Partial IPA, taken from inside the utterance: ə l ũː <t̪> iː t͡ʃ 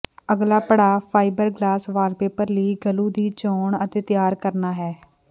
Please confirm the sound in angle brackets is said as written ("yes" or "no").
no